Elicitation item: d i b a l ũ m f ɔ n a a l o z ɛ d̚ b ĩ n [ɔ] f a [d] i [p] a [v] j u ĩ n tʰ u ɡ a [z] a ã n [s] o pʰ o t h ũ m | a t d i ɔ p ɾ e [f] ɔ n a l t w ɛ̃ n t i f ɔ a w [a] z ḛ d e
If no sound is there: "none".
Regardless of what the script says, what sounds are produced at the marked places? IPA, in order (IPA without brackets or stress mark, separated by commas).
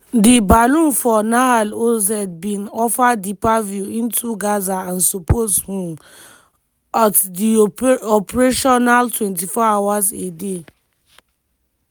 ɔ, d, p, v, z, s, ʃ, a